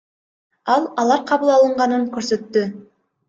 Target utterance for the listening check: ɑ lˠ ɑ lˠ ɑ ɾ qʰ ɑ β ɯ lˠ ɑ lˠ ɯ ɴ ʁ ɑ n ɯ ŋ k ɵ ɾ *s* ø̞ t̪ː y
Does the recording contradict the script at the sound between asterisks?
no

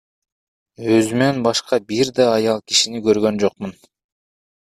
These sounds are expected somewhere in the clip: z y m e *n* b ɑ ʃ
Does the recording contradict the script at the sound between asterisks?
no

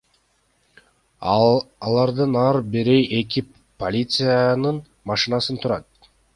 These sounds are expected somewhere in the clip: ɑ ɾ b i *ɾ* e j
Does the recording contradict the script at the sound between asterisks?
no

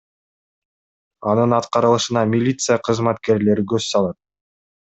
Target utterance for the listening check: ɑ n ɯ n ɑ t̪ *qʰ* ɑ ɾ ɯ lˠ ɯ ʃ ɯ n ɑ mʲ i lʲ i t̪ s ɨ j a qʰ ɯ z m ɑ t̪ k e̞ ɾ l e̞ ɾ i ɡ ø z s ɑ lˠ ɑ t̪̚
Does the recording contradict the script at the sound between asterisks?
yes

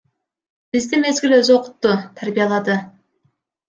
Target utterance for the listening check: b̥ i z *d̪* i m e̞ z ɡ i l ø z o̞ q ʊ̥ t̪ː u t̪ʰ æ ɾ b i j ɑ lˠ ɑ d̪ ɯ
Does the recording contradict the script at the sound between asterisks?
no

